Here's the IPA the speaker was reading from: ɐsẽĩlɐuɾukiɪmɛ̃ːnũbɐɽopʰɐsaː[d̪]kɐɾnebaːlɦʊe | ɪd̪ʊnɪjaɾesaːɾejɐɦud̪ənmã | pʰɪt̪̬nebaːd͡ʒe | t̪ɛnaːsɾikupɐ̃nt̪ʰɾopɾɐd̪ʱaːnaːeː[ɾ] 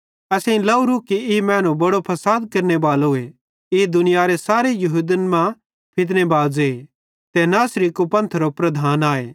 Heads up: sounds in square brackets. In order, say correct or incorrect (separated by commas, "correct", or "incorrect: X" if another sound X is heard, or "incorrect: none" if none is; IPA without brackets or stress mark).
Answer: correct, incorrect: none